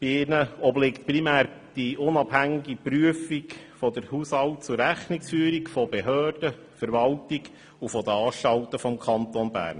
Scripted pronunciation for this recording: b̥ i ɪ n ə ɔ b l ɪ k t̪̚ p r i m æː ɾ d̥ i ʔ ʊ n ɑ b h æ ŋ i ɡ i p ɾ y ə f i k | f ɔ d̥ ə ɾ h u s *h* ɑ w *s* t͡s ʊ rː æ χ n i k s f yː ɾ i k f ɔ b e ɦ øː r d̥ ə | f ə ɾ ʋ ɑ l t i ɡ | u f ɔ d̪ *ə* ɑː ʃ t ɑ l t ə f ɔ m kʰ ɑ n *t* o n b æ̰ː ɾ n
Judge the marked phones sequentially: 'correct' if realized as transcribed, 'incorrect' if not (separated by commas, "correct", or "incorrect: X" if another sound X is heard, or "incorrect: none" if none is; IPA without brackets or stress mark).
correct, incorrect: t, correct, correct